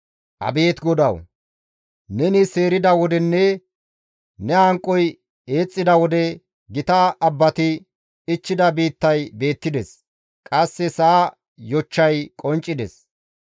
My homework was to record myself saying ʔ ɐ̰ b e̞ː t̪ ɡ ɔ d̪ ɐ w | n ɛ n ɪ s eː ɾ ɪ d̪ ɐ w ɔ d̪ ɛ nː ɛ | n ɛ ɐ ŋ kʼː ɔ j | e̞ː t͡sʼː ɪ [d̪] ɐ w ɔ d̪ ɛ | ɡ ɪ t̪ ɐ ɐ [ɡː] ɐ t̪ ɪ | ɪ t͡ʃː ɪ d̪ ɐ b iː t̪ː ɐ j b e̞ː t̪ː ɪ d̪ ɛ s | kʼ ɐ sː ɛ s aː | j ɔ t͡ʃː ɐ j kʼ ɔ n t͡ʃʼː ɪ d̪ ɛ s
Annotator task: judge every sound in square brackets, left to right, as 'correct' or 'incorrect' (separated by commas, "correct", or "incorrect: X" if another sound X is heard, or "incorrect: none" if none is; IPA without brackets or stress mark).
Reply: correct, incorrect: bː